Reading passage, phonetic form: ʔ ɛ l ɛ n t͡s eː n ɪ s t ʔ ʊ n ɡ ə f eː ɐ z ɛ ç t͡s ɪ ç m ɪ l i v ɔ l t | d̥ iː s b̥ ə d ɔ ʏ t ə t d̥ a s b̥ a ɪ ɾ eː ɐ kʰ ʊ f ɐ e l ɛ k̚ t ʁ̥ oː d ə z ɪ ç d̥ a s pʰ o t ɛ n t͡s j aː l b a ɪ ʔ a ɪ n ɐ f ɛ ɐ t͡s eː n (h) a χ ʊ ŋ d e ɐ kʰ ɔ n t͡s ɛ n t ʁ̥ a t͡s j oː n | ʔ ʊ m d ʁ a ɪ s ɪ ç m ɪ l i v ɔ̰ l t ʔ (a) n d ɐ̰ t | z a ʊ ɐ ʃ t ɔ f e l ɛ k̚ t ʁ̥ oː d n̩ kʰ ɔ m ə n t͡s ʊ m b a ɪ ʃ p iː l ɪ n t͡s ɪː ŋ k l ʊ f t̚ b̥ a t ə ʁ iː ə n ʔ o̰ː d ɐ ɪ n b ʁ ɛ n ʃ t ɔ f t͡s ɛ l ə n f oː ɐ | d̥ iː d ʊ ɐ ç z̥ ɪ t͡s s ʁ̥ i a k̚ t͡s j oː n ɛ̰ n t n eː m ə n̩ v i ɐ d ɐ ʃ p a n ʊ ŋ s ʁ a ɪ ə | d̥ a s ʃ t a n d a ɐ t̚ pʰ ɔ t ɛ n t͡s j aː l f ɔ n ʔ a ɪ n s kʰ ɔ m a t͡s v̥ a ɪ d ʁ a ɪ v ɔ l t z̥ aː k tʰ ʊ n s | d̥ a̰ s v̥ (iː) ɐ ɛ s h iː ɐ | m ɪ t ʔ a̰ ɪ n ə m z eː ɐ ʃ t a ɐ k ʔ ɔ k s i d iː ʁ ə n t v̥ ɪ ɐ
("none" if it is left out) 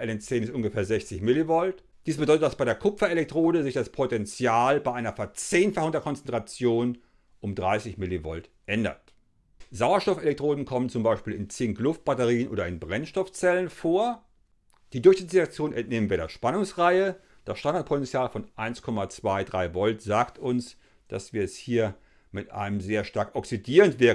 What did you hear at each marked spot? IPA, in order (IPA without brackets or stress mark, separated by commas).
f, ɛ, iː